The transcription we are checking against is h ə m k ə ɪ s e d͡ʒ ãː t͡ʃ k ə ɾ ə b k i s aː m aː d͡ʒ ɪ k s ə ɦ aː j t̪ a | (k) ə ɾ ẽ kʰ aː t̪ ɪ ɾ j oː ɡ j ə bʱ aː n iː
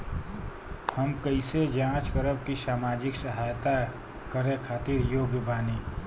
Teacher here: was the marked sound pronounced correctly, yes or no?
yes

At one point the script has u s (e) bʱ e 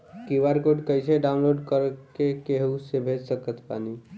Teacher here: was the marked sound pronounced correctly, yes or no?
yes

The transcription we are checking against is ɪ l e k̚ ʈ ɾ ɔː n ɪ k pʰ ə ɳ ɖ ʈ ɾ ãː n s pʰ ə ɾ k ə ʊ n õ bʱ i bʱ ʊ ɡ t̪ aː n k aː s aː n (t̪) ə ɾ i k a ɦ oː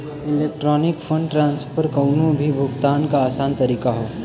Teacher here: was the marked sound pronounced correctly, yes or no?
yes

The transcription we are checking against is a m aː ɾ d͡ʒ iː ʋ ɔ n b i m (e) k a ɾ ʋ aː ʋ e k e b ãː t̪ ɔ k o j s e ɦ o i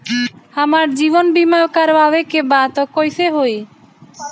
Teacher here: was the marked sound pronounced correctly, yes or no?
no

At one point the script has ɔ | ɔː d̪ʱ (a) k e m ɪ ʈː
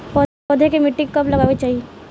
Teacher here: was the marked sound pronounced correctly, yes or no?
no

